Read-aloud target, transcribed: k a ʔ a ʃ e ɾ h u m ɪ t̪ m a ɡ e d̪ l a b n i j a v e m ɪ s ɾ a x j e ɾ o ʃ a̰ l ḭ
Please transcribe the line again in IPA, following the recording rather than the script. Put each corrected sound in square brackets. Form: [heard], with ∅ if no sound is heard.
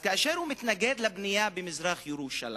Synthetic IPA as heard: k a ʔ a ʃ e ɾ h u m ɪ t̪ [n] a ɡ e d̪ l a b n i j a [b] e m ɪ [z] ɾ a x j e ɾ [u] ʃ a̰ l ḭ